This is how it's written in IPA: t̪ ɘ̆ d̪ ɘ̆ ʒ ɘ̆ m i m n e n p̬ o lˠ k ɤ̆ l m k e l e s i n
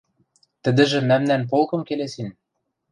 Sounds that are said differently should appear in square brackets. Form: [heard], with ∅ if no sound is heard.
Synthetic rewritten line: t̪ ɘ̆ d̪ ɘ̆ ʒ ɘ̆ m [æ] m n [æ] n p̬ o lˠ k ɤ̆ [∅] m k e l e s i n